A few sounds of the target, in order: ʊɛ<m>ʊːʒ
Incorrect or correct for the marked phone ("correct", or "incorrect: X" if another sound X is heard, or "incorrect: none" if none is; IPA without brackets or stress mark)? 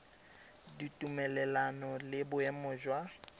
correct